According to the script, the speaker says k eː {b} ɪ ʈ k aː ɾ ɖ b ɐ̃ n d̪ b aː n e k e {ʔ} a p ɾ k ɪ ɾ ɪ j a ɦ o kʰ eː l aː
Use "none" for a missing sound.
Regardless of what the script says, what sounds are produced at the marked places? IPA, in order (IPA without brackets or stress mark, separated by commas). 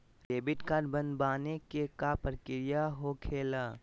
b, k